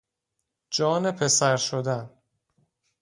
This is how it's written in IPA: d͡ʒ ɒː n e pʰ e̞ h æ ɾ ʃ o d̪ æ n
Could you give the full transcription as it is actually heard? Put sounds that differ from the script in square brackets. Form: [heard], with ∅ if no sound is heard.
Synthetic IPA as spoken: d͡ʒ ɒː n e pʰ e̞ [s] æ ɾ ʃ o d̪ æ n